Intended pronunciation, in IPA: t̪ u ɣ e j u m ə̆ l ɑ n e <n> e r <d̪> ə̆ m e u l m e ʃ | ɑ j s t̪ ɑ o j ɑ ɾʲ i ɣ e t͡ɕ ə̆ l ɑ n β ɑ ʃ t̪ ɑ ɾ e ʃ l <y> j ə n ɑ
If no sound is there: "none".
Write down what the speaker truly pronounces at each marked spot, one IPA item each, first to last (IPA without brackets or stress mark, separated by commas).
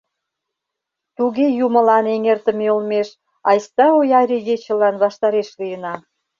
ŋ, t̪, i